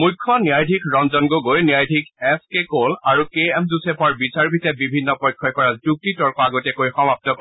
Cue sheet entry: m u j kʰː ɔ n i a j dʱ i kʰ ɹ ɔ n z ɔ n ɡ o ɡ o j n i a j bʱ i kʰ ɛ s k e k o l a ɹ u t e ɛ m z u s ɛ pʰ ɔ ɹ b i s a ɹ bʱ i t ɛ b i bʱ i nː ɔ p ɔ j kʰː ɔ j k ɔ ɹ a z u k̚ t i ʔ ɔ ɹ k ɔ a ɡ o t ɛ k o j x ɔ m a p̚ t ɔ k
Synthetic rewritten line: m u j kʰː ɔ n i a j dʱ i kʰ ɹ ɔ n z ɔ n ɡ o ɡ o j n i a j dʱ i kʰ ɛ s k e k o l a ɹ u k e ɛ m z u s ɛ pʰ ɔ ɹ b i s a ɹ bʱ i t ɛ b i bʱ i nː ɔ p ɔ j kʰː ɔ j k ɔ ɹ a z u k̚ t i t ɔ ɹ k ɔ a ɡ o t ɛ k o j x ɔ m a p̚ t ɔ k